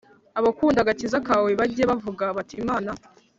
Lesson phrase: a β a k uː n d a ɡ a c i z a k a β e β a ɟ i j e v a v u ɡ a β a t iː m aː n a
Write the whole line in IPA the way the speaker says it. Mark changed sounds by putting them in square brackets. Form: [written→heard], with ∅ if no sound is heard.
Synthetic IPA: a β a k uː n d a ɡ a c i z a k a [β→w] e β a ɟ i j e [v→β] a v u ɡ a β a t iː m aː n a